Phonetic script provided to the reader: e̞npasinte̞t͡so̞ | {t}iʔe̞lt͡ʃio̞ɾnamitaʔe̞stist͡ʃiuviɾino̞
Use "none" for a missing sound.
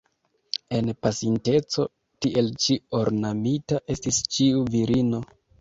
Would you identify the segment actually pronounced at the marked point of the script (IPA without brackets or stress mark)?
t